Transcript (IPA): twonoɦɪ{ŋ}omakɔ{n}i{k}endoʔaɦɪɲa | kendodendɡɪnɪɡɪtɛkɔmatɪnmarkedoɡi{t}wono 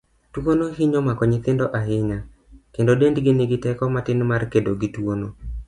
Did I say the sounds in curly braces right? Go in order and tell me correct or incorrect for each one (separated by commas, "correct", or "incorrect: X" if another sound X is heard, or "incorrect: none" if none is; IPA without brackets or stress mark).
incorrect: ɲ, incorrect: ɲ, correct, correct